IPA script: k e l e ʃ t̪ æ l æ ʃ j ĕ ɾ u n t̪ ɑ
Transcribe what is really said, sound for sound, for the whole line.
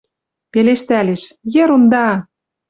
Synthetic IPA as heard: p e l e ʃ t̪ æ l e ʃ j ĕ ɾ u n d̪ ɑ

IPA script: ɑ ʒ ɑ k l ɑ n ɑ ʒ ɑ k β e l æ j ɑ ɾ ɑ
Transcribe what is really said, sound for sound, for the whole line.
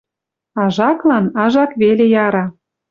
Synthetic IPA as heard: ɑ ʒ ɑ k l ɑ n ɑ ʒ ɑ k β e l e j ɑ ɾ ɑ

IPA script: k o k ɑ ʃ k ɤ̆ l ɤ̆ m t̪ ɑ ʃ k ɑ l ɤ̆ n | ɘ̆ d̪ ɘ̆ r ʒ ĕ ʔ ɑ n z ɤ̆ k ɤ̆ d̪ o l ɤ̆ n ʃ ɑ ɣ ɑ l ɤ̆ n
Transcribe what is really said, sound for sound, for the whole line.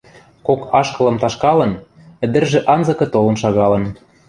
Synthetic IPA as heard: k o k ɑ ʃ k ɤ̆ l ɤ̆ m t̪ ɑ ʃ k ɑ l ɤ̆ n | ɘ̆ d̪ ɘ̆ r ʒ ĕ ʔ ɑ n z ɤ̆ k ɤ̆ t̪ o l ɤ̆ n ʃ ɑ ɣ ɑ l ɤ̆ n

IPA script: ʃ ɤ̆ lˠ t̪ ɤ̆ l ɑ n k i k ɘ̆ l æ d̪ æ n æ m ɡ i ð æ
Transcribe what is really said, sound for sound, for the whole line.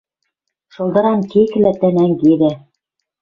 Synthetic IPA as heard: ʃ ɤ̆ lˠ d̪ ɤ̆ ɾ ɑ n k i k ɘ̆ l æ t̪ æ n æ ŋ ɡ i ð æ

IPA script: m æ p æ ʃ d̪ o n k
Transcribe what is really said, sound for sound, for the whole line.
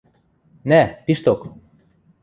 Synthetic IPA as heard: n æ p i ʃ t̪ o k

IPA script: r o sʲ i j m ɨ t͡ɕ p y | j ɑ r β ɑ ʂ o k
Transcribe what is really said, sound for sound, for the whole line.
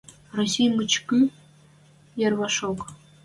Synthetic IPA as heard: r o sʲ i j m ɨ t͡ɕ k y | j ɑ r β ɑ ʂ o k

